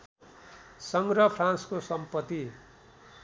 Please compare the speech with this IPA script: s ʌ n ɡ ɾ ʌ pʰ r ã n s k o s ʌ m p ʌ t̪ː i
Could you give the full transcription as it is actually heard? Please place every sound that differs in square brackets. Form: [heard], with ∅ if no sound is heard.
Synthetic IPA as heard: s ʌ [ŋ] ɡ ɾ ʌ pʰ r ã n s k o s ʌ m p ʌ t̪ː i

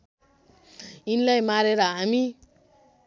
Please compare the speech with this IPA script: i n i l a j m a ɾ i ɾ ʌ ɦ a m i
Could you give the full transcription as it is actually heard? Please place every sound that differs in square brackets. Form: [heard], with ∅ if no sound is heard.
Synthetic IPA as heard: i n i l a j m a ɾ [e] ɾ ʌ ɦ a m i

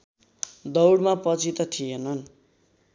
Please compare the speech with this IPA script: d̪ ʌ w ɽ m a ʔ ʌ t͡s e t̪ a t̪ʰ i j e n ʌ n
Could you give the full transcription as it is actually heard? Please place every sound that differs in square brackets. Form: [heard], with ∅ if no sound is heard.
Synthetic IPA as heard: d̪ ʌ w ɽ m a [p] ʌ t͡s [i] t̪ [ʌ] t̪ʰ i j e n ʌ n

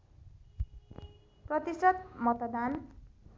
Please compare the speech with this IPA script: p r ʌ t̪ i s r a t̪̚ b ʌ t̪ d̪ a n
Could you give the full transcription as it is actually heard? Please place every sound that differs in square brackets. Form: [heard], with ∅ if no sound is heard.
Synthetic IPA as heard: p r ʌ t̪ i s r [ʌ] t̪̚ [m] ʌ t̪ d̪ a n

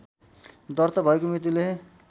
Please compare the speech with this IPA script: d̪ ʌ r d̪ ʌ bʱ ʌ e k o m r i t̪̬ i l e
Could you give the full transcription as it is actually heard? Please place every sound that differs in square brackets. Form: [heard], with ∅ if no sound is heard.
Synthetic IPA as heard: d̪ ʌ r [t̪] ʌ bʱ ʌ e k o m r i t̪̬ i l e

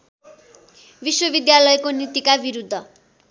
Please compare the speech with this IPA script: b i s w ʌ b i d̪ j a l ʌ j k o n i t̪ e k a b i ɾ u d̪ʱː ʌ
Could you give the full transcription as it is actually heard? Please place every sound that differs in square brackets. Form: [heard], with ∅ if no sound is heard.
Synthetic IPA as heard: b i s w ʌ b i d̪ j a l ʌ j k o n i t̪ [i] k a b i ɾ u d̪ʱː ʌ

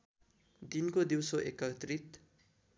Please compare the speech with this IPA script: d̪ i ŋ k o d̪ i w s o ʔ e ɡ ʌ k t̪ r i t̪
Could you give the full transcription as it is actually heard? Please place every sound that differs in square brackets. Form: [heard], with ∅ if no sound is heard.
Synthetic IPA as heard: d̪ i [n] k o d̪ i w s o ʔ e [k] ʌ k t̪ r i t̪

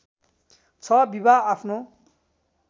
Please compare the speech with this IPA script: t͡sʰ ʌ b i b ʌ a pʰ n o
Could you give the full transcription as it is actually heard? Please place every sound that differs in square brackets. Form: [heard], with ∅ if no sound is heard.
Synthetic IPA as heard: t͡sʰ ʌ b i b [a] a pʰ n o

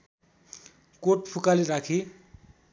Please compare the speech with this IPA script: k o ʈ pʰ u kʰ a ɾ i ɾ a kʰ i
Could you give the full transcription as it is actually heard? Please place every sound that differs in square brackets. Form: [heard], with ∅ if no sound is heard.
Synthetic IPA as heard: k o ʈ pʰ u [k] a [l] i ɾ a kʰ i

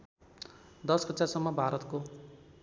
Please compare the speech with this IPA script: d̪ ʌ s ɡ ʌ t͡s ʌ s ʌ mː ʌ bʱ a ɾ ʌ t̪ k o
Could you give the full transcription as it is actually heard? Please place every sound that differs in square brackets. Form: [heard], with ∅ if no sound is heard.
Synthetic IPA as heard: d̪ ʌ s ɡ ʌ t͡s [a] s ʌ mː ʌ bʱ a ɾ ʌ t̪ k o

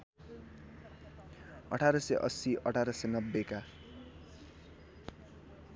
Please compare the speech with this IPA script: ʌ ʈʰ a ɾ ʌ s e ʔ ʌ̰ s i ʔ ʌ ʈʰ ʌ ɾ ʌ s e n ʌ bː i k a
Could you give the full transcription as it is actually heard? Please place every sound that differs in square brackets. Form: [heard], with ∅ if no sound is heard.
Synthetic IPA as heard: ʌ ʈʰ a ɾ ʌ s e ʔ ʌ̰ s i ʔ ʌ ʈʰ [a] ɾ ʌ s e n ʌ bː [e] k a

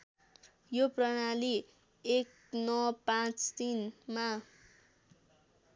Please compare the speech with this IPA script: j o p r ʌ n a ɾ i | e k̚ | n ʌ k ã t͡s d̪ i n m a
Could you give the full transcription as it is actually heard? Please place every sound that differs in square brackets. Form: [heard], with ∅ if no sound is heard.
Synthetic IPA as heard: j o p r ʌ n a [l] i | e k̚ | n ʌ [p] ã t͡s [t̪] i n m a

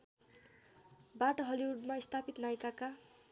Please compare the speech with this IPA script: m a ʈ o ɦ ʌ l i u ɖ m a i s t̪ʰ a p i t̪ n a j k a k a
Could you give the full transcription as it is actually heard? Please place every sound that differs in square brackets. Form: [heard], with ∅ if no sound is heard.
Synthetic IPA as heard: [b] a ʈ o ɦ ʌ l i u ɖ m a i s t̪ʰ a p i t̪ n a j k a k a

